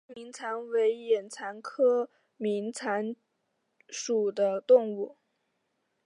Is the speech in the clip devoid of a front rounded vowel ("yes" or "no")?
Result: yes